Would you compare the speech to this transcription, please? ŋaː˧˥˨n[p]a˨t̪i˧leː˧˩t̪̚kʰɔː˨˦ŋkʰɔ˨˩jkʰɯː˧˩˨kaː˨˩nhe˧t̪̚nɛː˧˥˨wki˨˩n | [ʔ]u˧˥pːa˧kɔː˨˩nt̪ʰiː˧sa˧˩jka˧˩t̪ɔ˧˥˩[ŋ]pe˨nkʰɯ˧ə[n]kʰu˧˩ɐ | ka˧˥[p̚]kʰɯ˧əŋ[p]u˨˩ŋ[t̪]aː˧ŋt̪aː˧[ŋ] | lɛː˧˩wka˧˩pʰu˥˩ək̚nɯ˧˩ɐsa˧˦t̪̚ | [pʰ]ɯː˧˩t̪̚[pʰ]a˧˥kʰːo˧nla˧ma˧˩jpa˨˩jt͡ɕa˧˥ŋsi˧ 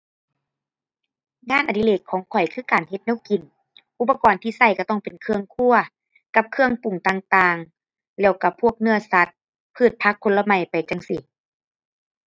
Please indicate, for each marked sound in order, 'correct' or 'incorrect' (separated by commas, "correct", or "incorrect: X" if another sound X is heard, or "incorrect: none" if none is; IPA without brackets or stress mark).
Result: incorrect: ʔ, correct, correct, incorrect: ŋ, correct, correct, correct, correct, correct, correct